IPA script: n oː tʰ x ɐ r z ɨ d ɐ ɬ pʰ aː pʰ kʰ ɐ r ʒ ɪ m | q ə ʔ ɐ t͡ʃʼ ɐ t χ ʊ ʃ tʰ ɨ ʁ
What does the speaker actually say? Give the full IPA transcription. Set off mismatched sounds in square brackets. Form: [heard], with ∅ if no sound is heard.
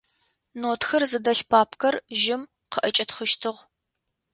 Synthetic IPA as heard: n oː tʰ x ɐ r z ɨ d ɐ ɬ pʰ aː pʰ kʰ ɐ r ʒ ɪ m | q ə ʔ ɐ t͡ʃʼ ɐ t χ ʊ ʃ tʰ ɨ ʁ

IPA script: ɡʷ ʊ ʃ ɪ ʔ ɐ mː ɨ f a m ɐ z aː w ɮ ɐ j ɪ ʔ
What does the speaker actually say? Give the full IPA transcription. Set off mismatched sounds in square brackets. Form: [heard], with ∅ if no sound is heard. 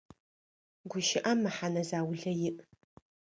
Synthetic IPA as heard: ɡʷ ʊ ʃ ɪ ʔ ɐ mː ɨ [ħ] a [n] ɐ z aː w ɮ ɐ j ɪ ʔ

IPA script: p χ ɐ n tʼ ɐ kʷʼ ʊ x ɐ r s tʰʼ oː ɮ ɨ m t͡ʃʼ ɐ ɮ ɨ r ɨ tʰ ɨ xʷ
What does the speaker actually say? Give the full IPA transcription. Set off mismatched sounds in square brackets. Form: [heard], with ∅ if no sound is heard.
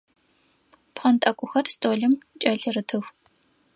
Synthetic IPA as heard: p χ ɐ n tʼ ɐ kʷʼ ʊ x ɐ r s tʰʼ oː ɮ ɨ m t͡ʃʼ ɐ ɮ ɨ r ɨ tʰ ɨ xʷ

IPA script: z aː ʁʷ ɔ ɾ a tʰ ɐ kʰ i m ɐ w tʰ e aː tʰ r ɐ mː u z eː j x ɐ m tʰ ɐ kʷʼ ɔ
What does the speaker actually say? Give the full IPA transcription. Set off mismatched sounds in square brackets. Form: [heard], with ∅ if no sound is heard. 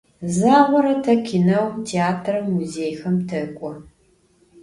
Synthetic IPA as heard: z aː ʁʷ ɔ ɾ [ɐ] tʰ ɐ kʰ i [n] ɐ w tʰ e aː tʰ r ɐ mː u z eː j x ɐ m tʰ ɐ kʷʼ ɔ

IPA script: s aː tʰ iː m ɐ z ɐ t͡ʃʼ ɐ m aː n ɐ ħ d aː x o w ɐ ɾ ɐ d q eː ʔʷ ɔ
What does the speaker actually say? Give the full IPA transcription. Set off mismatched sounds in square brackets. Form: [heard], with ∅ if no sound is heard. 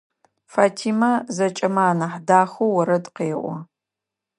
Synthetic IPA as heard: [f] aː tʰ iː m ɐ z ɐ t͡ʃʼ ɐ m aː n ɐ ħ d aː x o w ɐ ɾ ɐ d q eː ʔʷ ɔ

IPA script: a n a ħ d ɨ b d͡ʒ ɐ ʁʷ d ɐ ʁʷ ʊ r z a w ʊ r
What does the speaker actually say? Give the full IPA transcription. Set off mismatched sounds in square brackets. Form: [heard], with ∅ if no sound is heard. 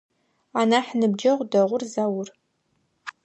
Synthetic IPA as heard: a n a ħ [n] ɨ b d͡ʒ ɐ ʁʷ d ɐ ʁʷ ʊ r z a w ʊ r

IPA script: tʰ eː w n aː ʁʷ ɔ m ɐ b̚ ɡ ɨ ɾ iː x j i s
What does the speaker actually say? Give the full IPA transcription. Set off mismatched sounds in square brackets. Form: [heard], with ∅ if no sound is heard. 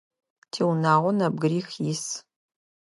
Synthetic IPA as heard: tʰ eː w n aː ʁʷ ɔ [n] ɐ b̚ ɡ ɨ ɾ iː x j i s

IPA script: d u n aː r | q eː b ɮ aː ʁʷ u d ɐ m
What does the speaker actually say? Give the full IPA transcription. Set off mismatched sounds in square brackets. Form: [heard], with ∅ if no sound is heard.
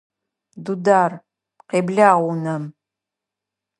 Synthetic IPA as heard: d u [d] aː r | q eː b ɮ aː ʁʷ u [n] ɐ m

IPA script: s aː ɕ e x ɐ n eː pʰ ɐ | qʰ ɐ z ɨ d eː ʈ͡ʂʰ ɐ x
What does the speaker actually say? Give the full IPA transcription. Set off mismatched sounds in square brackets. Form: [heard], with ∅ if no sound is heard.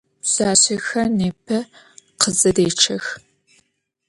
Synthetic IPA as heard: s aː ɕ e x ɐ n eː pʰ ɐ | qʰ [ə] z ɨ d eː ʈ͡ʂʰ ɐ x

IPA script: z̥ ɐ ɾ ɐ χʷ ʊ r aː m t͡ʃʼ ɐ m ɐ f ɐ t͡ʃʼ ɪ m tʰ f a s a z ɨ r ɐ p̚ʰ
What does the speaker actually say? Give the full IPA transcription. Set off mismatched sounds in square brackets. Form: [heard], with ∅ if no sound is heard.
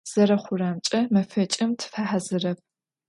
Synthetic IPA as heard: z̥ ɐ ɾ ɐ χʷ ʊ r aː m t͡ʃʼ ɐ m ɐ f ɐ t͡ʃʼ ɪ m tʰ f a [ħ] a z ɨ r ɐ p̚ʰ

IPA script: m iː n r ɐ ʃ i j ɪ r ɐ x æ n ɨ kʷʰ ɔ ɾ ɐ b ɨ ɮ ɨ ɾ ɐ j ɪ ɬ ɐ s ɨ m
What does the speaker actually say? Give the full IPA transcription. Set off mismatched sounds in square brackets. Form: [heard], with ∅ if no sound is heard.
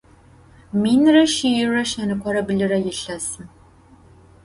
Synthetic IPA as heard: m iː n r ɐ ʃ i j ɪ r ɐ [ʃ] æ n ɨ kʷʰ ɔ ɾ ɐ b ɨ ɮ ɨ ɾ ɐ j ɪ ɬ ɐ s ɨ m

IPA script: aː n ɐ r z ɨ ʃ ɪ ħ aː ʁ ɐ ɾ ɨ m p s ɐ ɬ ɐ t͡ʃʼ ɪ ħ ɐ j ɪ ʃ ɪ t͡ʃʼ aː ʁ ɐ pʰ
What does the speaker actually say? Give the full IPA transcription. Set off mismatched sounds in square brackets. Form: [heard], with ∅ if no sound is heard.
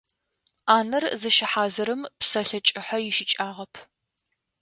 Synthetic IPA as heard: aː n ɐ r z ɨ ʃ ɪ ħ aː [z] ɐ ɾ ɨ m p s ɐ ɬ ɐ t͡ʃʼ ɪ ħ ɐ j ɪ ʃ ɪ t͡ʃʼ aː ʁ ɐ pʰ

